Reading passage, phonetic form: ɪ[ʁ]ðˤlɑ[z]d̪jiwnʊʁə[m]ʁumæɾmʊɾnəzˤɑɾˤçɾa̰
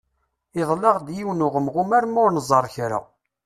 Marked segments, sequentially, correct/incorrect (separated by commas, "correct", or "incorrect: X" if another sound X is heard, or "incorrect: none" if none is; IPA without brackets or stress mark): incorrect: none, incorrect: ʁ, correct